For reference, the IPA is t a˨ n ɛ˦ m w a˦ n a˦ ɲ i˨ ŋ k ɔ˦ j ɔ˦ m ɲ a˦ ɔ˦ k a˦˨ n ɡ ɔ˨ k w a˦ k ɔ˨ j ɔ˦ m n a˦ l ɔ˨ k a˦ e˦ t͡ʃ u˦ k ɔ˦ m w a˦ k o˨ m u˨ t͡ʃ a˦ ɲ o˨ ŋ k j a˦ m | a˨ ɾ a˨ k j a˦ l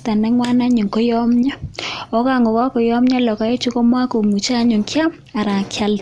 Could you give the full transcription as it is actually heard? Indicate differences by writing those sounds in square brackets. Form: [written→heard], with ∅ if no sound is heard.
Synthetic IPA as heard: t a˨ n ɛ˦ [m→ŋ] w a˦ n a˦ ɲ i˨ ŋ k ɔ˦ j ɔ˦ m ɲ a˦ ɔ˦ k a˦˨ [n→ŋ] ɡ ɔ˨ k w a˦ k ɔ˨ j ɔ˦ m [n→ɲ] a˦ l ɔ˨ k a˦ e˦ t͡ʃ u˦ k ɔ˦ m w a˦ k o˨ m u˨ t͡ʃ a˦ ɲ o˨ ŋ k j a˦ m | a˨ ɾ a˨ k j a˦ l